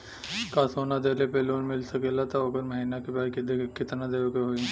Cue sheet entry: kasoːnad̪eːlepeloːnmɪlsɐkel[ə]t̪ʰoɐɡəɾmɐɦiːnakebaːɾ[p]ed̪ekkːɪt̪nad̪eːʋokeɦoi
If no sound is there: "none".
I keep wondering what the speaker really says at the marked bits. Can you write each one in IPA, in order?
a, k

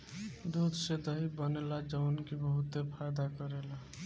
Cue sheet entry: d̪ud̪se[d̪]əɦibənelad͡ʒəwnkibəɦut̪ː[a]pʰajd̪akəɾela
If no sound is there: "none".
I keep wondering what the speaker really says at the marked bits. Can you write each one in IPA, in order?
d̪, e

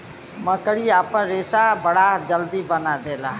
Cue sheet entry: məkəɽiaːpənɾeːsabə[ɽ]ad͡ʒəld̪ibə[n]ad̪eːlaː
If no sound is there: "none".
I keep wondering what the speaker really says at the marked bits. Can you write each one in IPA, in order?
ɽ, n

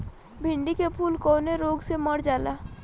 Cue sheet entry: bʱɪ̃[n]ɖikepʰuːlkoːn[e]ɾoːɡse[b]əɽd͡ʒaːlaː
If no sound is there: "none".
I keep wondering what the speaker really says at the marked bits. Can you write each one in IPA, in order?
ɳ, e, m

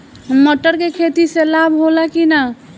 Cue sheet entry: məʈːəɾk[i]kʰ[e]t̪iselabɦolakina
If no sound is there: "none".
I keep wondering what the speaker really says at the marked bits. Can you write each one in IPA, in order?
e, e

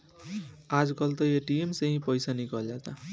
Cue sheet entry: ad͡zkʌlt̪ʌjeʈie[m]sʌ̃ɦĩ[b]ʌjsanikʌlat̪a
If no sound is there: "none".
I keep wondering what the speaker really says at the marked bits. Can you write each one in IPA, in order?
m, p

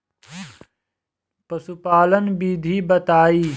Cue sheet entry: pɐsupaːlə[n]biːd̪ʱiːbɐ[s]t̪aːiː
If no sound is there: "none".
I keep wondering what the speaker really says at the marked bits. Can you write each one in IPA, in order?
n, none

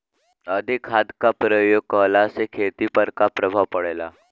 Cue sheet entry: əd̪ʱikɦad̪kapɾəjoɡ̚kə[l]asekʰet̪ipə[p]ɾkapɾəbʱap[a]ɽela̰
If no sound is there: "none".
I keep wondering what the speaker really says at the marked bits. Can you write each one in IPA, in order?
l, none, ə

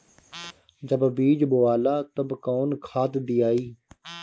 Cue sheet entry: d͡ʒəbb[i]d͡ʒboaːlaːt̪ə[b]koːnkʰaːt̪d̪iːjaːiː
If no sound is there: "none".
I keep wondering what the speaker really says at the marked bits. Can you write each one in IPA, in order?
iː, b

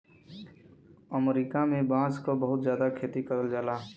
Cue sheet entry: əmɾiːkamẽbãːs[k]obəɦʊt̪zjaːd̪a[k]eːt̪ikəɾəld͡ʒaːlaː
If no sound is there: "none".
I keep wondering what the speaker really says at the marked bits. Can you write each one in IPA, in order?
k, kʰ

